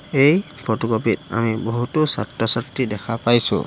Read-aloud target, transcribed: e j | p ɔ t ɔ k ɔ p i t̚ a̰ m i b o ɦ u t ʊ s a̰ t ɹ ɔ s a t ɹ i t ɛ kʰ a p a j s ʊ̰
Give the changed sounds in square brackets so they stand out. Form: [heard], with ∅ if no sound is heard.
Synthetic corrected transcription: e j | p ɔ t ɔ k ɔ p i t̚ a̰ m i b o ɦ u t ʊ s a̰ t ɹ ɔ s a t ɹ i [d] ɛ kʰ a p a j s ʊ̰

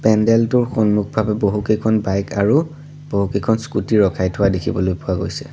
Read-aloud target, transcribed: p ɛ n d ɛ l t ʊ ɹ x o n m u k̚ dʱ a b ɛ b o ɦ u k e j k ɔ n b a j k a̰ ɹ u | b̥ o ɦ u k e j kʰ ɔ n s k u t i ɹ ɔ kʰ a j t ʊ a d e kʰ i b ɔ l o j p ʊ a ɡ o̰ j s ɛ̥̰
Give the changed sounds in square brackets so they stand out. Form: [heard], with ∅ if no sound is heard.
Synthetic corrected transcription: p ɛ n d ɛ l t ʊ ɹ x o n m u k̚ [bʱ] a b ɛ b o ɦ u k e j [kʰ] ɔ n b a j k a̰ ɹ u | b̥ o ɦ u k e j kʰ ɔ n s k u t i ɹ ɔ kʰ a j [tʰ] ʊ a d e kʰ i b ɔ l o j p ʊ a ɡ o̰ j s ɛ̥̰

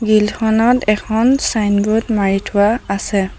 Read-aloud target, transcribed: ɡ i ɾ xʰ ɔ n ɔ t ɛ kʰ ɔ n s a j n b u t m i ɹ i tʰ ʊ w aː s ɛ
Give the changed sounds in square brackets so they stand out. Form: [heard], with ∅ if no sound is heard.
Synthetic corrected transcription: ɡ i [l] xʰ ɔ n ɔ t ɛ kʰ ɔ n s a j n b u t m [a] ɹ i tʰ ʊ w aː s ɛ

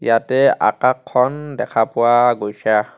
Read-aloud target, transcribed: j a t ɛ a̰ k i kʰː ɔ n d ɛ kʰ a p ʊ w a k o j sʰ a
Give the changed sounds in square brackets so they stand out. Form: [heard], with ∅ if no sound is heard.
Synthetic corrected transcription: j a t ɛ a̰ k [a] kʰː ɔ n d ɛ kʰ a p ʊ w a [ɡ] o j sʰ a

